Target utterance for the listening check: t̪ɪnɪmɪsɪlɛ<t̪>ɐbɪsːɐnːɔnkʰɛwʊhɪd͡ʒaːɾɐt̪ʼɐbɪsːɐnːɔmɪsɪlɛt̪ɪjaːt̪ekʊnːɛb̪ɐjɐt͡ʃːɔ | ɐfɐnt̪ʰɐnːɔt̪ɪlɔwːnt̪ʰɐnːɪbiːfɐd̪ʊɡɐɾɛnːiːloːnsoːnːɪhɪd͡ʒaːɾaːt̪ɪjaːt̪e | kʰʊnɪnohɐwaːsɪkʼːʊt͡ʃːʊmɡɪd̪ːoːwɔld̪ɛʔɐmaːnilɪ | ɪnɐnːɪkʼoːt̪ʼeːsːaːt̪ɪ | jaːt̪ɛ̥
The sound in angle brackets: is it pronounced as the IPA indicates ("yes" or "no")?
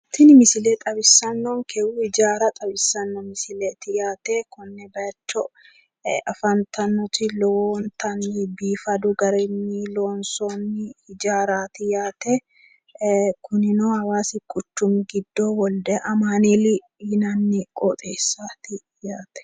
no